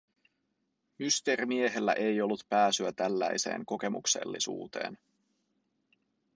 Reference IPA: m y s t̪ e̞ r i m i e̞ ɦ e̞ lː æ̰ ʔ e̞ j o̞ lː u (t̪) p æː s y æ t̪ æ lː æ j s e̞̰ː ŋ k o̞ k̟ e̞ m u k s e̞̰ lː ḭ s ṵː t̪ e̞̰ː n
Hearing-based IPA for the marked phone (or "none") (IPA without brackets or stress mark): t̪